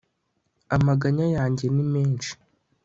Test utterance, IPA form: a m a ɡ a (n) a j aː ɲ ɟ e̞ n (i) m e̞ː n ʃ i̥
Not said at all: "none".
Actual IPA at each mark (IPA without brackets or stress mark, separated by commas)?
ɲ, i